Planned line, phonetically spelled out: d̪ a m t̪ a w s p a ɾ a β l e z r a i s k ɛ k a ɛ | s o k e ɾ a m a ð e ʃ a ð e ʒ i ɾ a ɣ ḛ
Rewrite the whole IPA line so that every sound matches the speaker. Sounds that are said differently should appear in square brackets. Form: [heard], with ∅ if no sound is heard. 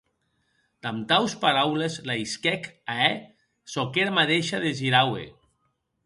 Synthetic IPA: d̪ a m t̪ a w s p a ɾ a [w] l e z [l] a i s k ɛ k a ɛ | s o k e ɾ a m a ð e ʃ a ð e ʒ i ɾ a [w] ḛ